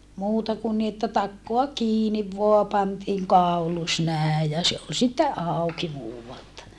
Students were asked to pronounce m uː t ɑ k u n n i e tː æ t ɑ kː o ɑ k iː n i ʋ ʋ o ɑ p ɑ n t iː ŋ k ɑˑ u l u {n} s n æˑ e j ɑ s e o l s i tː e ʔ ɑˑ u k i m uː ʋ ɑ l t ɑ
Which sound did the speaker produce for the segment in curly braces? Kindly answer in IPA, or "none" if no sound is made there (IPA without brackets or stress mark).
none